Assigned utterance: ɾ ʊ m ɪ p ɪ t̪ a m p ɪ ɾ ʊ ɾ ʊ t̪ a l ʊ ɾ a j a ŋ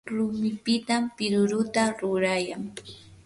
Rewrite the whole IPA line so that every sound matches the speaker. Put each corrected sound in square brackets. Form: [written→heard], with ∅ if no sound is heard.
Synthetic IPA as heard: ɾ ʊ m ɪ p ɪ t̪ a m p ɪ ɾ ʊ ɾ ʊ t̪ a [l→ɾ] ʊ ɾ a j a ŋ